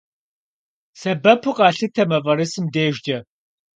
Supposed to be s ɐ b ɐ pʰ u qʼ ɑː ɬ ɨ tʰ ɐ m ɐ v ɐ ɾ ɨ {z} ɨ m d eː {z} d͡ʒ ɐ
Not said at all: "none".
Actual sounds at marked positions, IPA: s, ʒ

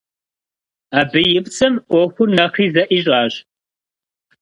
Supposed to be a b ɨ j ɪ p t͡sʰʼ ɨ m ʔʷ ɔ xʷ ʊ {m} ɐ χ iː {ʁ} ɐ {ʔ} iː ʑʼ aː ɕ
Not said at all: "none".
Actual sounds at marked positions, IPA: n, z, ʔ

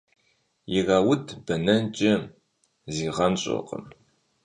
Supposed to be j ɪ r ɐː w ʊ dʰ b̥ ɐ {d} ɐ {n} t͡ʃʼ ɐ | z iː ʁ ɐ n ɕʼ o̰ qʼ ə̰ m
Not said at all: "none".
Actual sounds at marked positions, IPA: n, n

